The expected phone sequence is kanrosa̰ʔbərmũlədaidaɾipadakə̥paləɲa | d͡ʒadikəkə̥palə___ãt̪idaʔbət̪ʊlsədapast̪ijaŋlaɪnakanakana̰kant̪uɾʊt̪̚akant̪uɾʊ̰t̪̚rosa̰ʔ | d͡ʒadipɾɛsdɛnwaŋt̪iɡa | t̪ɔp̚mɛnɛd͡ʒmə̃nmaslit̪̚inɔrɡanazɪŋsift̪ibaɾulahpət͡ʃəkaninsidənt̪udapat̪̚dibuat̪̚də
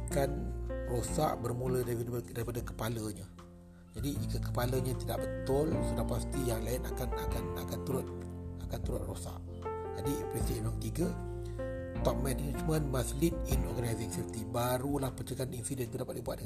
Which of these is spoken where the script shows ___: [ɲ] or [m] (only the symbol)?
ɲ